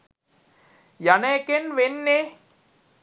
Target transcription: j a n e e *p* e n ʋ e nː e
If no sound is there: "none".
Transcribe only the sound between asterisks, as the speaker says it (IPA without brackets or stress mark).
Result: k